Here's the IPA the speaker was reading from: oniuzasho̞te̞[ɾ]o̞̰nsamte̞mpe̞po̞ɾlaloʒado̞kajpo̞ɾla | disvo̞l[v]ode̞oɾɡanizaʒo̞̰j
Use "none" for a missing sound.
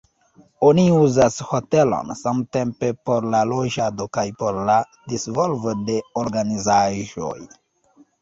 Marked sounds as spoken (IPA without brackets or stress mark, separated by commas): l, v